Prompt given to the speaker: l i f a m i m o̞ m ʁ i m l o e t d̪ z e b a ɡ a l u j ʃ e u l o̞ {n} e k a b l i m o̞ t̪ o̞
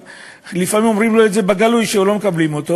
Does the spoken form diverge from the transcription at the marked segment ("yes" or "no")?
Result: yes